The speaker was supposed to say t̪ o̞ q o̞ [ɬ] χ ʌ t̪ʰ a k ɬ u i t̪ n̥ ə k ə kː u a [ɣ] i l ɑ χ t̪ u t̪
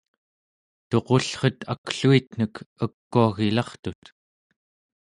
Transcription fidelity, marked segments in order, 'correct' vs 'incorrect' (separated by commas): correct, correct